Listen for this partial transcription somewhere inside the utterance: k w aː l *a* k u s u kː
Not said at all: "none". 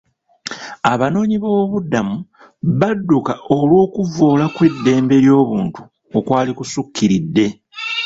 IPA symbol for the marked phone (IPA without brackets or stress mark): i